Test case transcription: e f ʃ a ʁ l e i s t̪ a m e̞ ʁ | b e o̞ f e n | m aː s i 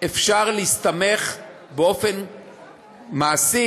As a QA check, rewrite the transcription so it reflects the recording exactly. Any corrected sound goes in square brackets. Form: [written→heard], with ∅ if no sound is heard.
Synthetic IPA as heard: e f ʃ a ʁ l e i s t̪ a m e̞ [ʁ→χ] | b e o̞ f e n | m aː s i